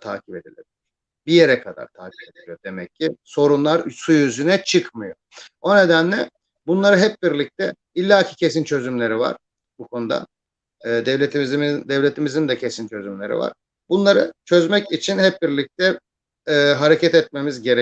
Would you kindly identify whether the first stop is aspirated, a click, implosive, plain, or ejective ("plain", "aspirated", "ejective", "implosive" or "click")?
aspirated